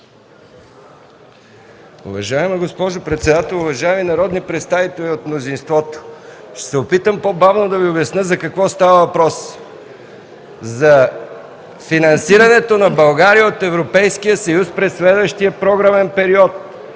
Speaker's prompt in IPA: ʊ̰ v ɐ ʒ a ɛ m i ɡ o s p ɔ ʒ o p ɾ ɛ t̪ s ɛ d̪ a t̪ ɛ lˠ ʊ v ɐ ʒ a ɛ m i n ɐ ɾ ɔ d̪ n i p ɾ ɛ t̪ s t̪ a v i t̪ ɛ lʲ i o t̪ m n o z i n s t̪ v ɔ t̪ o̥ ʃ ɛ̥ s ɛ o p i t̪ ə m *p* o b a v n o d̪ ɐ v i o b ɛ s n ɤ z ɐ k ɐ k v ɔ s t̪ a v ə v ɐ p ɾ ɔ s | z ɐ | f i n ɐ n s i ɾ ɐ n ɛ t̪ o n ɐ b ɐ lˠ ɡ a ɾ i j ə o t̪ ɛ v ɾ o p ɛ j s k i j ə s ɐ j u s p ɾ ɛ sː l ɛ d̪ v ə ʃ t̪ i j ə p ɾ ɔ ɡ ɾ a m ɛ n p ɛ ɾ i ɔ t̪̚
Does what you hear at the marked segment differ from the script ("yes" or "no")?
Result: no